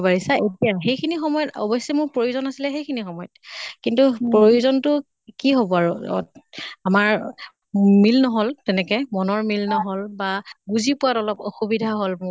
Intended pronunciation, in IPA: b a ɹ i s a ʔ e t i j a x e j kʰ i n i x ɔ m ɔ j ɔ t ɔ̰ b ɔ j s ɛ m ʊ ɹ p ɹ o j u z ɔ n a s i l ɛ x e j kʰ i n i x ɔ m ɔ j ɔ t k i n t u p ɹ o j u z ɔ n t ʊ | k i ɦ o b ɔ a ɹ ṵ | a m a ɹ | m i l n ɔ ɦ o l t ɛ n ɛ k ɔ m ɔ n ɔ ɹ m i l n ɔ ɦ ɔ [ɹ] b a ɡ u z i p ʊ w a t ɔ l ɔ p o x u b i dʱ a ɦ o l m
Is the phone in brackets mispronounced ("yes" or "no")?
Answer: yes